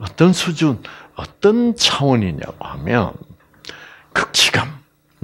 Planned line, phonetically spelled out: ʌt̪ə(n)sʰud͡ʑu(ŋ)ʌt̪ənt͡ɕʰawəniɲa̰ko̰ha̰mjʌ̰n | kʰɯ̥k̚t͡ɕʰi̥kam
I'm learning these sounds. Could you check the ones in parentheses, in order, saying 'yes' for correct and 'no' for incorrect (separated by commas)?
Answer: yes, no